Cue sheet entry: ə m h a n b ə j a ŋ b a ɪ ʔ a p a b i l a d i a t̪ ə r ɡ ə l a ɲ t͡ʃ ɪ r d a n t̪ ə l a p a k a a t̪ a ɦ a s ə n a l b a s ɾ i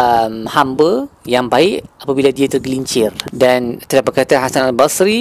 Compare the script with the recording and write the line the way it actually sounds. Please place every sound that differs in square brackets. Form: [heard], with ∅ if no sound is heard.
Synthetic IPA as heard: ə m h a [m] b ə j a ŋ b a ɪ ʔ a p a b i l a d i a t̪ ə r ɡ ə l [i] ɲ t͡ʃ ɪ r d a n t̪ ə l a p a k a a t̪ a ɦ a s [a] n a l b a s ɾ i